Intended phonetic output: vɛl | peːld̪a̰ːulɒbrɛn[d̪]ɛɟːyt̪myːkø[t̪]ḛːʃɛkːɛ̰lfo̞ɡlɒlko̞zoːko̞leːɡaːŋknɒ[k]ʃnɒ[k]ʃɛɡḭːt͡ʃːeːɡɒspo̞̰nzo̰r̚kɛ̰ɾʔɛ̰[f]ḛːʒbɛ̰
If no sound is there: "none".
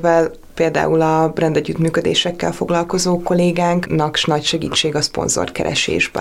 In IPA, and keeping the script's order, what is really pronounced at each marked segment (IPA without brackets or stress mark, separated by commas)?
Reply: d̪, d̪, k, c, ʃ